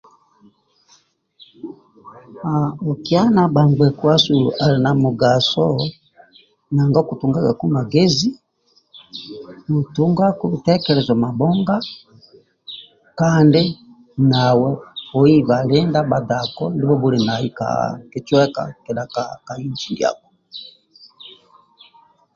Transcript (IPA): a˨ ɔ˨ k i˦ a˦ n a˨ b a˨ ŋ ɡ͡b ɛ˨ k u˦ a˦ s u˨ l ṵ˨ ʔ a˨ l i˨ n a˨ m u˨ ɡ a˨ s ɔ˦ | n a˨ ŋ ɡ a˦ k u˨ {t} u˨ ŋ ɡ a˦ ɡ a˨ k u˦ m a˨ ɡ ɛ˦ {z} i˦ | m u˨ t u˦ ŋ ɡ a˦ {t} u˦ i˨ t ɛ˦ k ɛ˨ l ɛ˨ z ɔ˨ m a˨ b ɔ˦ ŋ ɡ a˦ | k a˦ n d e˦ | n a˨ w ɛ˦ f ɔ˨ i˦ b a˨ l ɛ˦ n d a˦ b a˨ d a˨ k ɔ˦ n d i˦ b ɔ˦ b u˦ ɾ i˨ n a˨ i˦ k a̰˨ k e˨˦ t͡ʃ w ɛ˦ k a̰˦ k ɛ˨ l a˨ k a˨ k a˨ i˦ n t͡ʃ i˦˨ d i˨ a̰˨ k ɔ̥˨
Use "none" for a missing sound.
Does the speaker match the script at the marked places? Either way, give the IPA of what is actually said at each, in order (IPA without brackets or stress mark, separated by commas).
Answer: t, z, k